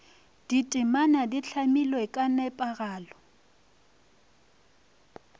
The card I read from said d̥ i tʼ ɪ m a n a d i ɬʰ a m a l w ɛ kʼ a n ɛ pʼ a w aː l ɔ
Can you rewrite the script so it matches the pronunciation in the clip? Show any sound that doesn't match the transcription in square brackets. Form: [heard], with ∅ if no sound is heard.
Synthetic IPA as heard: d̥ i tʼ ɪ m a n a d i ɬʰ a m [i] l w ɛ kʼ a n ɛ pʼ a [ɣ] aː l ɔ